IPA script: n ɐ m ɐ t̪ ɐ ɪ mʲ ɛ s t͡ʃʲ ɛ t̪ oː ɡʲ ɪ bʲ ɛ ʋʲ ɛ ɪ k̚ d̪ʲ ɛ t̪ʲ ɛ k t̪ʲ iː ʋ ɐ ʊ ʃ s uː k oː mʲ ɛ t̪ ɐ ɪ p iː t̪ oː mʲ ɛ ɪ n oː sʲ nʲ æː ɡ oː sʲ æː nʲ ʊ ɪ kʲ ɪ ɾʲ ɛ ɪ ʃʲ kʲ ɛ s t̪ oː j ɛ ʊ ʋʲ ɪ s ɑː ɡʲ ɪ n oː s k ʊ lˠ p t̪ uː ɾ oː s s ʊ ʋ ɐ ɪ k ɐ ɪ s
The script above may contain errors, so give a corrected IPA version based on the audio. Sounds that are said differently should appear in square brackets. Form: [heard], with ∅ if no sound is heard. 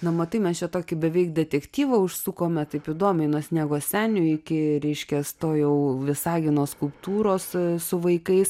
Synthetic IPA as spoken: n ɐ m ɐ t̪ ɐ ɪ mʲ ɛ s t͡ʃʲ ɛ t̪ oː [kʲ] ɪ bʲ ɛ ʋʲ ɛ ɪ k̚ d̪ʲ ɛ t̪ʲ ɛ k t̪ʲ iː ʋ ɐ ʊ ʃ s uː k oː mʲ ɛ t̪ ɐ ɪ p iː [d̪] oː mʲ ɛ ɪ n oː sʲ nʲ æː ɡ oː sʲ æː nʲ ʊ ɪ kʲ ɪ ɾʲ ɛ ɪ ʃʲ kʲ ɛ s t̪ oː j ɛ ʊ ʋʲ ɪ s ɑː ɡʲ ɪ n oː s k ʊ lˠ p t̪ uː ɾ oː s s ʊ ʋ ɐ ɪ k ɐ ɪ s